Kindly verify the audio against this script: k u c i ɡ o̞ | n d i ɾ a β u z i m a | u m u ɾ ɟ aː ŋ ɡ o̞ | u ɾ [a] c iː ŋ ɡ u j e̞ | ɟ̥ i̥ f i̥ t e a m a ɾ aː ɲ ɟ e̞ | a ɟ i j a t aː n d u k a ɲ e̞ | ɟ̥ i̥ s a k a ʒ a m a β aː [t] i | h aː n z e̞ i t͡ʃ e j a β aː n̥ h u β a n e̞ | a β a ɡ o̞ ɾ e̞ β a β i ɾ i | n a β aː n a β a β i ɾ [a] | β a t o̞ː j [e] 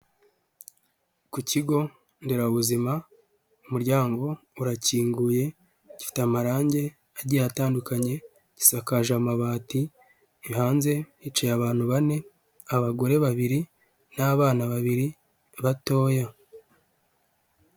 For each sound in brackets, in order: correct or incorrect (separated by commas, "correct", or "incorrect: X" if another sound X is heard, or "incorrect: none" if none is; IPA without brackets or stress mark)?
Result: correct, correct, incorrect: i, incorrect: a